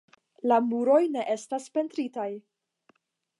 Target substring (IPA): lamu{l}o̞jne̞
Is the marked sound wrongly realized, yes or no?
yes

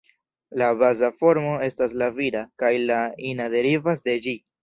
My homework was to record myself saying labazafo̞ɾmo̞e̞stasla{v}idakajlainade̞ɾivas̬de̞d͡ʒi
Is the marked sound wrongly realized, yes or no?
no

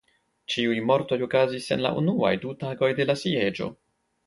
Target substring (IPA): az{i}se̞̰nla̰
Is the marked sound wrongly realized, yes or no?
no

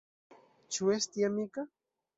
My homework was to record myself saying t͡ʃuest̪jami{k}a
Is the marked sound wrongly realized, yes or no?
no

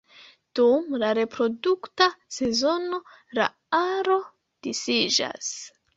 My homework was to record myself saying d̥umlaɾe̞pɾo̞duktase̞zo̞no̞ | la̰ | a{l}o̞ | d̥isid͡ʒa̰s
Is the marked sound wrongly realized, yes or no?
yes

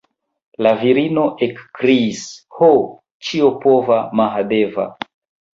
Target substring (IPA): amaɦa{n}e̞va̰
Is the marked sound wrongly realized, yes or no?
yes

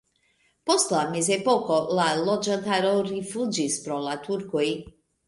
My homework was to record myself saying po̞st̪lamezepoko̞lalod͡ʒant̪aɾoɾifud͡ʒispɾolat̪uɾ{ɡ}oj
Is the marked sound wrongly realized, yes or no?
yes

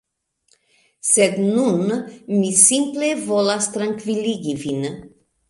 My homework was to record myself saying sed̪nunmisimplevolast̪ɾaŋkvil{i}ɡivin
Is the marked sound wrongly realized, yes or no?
no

